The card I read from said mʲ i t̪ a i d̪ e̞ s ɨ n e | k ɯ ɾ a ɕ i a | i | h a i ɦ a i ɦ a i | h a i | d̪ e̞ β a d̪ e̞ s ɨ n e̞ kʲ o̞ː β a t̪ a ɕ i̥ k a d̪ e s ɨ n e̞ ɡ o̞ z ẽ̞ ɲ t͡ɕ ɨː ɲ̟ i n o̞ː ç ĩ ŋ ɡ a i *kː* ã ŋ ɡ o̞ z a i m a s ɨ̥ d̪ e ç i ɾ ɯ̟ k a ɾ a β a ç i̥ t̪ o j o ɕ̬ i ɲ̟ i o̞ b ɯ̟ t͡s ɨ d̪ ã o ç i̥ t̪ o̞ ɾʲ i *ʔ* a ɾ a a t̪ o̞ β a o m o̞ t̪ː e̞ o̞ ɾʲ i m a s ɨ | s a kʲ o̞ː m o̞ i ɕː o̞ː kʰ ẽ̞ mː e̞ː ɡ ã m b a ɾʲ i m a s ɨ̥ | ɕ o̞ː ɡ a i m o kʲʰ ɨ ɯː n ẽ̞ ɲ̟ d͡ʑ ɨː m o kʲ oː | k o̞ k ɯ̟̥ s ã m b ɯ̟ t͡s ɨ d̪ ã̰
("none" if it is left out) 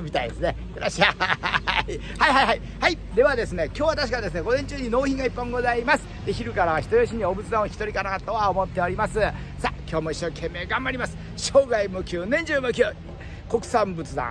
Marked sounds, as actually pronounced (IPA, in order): pː, k

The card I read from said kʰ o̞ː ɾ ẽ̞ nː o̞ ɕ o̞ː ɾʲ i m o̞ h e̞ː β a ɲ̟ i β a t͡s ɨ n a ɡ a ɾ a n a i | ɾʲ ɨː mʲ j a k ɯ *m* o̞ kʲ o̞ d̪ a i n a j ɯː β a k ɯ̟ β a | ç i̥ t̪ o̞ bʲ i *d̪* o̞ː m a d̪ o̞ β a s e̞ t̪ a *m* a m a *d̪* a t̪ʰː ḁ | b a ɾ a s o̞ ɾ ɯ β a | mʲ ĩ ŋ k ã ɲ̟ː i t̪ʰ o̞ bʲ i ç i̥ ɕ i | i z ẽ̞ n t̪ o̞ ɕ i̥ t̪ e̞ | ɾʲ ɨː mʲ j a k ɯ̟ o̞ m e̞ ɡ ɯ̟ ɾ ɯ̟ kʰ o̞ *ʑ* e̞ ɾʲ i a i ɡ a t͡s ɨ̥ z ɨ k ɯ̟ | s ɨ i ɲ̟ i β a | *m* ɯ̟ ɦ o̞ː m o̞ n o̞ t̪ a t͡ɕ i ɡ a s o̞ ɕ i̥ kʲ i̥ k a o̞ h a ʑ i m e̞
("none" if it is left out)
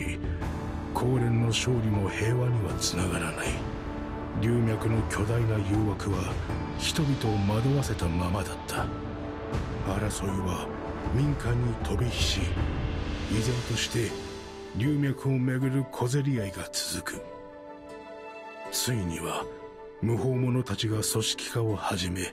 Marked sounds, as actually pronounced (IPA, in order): n, t̪, m, d̪, z, m

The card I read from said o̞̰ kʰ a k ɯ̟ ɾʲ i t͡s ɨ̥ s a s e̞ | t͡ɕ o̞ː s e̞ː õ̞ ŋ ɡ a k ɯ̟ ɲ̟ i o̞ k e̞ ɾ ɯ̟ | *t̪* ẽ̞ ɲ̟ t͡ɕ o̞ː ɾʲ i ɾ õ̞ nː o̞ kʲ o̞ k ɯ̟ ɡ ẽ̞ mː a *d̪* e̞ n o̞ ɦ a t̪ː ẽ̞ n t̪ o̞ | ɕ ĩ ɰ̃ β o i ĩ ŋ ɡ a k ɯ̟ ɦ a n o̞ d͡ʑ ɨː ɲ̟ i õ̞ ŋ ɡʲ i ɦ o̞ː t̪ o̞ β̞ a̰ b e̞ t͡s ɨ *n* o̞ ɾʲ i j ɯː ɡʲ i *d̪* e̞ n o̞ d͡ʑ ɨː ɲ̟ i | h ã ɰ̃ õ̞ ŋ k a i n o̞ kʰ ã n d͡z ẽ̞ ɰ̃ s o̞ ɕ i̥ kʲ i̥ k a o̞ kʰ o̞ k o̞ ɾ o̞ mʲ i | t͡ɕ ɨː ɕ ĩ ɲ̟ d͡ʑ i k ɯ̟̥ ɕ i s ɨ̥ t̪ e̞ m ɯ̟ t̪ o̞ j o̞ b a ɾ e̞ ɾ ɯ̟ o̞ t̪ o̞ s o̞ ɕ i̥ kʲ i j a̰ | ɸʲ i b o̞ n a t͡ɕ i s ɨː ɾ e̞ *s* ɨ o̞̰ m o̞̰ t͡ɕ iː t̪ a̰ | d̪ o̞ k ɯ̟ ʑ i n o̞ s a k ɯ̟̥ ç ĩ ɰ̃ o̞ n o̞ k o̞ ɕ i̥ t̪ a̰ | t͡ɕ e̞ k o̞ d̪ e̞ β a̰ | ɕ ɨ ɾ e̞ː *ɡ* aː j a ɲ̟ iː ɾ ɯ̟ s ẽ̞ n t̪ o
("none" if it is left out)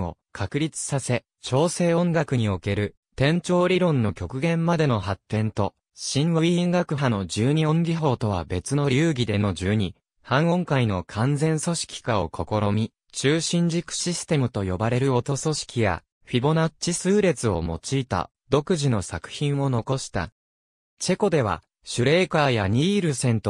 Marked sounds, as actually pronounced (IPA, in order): t̪, d̪, n, d̪, t͡s, k

